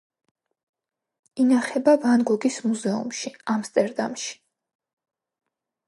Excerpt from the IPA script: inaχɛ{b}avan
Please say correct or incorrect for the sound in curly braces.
correct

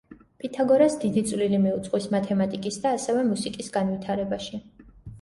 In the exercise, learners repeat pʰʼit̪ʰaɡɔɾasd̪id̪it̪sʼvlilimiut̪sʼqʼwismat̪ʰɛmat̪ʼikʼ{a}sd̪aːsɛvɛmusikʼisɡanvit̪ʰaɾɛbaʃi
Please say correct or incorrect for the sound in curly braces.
incorrect: i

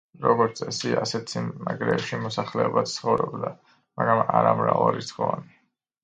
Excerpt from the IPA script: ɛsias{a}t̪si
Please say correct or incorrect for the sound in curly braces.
incorrect: ɛ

